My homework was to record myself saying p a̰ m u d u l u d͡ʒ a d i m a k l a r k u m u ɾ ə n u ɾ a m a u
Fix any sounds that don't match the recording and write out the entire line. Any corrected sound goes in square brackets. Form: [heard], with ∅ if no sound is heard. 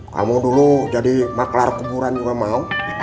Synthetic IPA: [k] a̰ m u d u l u d͡ʒ a d i m a k l a r k u [b] u ɾ [a] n u ɾ a m a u